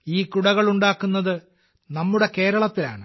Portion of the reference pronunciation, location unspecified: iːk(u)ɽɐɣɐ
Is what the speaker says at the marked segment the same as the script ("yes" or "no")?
yes